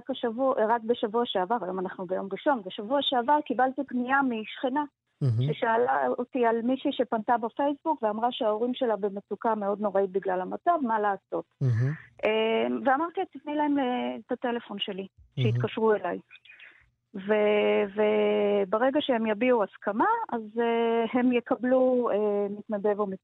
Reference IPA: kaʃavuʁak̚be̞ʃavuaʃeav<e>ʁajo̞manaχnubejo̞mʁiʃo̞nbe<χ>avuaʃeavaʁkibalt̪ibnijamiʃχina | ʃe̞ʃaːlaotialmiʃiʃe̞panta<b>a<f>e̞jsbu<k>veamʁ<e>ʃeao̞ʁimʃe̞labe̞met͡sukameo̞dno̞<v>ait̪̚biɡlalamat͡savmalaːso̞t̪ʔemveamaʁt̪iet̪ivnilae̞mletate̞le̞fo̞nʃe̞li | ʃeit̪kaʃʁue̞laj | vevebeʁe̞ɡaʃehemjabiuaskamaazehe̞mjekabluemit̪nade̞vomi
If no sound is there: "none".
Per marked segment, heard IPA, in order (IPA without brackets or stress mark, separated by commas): a, ʃ, b, f, k, a, ʁ